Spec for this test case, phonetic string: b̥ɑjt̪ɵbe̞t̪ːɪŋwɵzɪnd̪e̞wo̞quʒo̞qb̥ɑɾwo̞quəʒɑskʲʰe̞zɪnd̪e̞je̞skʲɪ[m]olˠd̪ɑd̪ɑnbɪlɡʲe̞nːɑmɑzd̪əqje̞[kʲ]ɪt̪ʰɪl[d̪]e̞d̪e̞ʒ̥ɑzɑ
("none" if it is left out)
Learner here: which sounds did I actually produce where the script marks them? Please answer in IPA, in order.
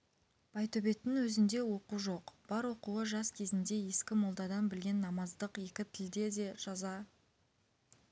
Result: m, kʲ, d̪

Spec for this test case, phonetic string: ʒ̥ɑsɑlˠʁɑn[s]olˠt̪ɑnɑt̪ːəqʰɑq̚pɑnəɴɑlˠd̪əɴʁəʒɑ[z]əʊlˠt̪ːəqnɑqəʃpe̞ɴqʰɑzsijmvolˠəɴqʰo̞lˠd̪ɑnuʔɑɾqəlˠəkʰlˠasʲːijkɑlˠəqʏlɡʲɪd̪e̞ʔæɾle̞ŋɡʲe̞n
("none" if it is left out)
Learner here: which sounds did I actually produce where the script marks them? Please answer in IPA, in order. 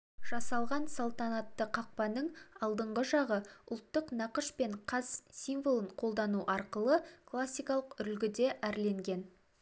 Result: s, ʁ

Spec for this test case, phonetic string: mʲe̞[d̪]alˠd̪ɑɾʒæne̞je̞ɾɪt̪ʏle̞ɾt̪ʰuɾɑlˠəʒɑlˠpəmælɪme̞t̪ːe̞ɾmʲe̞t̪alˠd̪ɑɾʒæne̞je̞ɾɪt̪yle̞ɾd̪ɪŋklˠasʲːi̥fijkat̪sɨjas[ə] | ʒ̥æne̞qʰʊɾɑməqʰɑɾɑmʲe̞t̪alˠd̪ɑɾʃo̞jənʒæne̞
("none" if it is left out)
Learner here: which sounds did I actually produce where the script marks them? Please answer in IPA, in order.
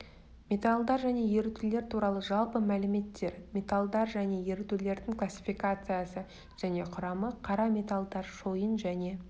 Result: t̪, ə

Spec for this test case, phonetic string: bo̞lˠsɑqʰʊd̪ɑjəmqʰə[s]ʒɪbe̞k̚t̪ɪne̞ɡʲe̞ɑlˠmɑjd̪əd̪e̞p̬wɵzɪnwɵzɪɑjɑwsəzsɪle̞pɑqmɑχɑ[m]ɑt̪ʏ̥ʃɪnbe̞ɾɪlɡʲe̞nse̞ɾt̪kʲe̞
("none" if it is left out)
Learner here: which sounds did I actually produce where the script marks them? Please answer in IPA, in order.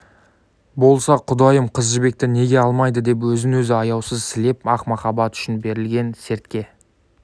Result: z, b

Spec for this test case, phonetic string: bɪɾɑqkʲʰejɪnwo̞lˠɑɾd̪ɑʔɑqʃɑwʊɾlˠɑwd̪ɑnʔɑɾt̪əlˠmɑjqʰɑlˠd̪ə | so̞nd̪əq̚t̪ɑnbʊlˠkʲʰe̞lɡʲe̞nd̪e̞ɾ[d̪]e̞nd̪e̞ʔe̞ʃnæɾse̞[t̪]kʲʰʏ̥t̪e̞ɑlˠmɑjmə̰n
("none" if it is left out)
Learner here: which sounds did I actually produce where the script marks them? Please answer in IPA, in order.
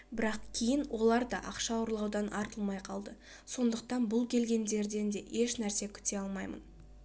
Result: d̪, none

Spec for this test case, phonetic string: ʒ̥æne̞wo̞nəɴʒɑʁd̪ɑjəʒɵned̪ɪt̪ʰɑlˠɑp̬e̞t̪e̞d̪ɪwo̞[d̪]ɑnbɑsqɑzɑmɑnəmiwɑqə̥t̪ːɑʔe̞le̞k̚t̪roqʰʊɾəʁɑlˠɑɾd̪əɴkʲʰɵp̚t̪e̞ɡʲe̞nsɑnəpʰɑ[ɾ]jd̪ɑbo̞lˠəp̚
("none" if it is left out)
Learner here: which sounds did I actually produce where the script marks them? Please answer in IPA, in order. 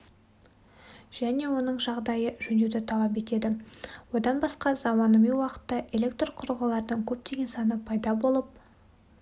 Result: d̪, none

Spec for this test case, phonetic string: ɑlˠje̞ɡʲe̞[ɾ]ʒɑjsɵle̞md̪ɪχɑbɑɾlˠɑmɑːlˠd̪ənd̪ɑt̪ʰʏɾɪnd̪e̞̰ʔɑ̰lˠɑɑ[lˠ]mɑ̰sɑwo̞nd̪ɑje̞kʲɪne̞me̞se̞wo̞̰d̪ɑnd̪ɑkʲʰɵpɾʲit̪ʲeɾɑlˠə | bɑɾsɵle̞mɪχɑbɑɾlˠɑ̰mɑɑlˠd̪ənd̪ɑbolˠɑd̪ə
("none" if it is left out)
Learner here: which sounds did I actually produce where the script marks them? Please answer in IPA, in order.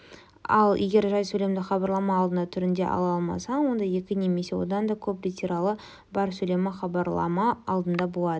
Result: ɾ, lˠ

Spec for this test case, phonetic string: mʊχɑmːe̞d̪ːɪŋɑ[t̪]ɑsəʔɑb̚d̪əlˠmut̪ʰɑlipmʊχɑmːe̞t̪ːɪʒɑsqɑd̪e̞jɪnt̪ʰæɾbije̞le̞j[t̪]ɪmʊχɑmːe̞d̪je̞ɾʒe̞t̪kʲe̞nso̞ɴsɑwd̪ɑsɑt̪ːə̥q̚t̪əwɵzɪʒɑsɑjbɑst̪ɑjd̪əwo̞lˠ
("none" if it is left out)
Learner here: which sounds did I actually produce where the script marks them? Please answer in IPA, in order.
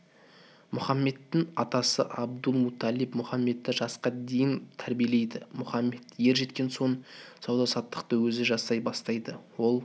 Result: t̪, d̪

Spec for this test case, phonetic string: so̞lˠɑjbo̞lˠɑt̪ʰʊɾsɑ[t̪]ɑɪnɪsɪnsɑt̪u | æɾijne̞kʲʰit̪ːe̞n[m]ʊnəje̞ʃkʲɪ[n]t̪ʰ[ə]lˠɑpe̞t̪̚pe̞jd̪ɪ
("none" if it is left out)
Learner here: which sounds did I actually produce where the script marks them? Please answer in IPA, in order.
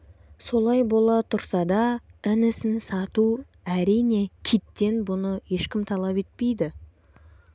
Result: d̪, b, m, ɑ

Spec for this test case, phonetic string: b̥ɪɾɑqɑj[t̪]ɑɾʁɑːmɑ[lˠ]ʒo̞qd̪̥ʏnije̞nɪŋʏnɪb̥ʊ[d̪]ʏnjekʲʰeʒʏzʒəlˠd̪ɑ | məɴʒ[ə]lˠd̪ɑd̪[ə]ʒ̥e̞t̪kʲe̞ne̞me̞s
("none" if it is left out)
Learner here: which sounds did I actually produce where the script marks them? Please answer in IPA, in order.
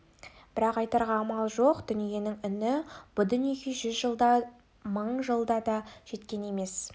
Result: t̪, lˠ, d̪, ə, ɑ

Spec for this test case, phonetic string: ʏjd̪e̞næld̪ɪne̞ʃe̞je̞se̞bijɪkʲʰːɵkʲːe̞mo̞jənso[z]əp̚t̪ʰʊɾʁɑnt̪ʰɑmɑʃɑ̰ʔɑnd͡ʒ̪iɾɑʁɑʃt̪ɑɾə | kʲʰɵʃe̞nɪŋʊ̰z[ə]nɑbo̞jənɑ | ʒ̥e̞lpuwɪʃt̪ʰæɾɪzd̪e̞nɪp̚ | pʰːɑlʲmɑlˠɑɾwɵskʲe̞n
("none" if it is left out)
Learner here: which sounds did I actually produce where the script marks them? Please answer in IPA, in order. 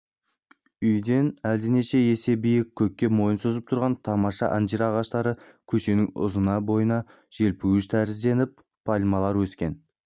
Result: z, ə

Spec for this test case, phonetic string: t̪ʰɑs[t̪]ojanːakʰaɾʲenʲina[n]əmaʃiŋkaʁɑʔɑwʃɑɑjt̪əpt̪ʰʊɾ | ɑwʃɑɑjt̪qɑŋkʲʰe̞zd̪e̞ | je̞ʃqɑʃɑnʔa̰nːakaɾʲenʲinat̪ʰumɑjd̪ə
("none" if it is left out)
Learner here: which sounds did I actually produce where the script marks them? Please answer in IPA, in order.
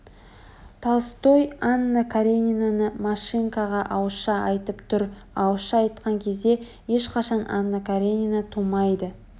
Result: t̪, n

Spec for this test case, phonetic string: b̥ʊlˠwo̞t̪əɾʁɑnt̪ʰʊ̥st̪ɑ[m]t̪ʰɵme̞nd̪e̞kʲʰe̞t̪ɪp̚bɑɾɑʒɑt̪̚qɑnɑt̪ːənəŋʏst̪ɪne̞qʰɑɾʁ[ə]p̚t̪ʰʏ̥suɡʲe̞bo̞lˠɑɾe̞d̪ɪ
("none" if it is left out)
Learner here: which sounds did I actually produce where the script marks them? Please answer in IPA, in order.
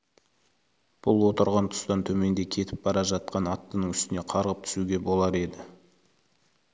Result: n, ə

